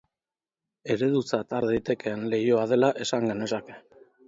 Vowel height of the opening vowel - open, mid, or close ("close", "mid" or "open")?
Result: mid